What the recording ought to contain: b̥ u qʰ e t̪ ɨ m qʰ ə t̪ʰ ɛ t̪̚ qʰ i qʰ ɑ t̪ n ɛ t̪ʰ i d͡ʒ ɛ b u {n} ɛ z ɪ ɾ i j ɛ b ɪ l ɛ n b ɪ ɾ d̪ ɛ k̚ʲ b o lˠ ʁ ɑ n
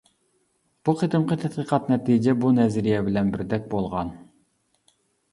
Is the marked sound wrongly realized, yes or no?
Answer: no